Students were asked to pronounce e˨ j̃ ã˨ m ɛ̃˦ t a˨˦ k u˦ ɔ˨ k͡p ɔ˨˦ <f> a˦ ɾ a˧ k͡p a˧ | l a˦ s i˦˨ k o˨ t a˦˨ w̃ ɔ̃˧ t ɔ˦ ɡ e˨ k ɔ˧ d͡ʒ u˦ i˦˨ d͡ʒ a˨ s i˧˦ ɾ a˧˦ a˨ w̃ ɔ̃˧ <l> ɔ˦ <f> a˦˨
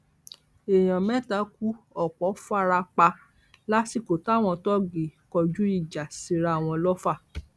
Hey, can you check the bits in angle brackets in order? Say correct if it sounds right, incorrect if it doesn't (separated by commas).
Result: correct, correct, correct